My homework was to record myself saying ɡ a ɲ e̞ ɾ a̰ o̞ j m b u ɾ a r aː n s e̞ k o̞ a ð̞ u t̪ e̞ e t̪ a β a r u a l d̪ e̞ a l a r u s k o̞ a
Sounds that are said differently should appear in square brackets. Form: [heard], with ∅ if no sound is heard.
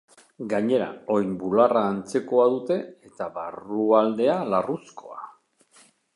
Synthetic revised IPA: ɡ a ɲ e̞ ɾ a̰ o̞ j m b u [l] a r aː n [t͡s] e̞ k o̞ a ð̞ u t̪ e̞ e t̪ a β a r u a l d̪ e̞ a l a r u s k o̞ a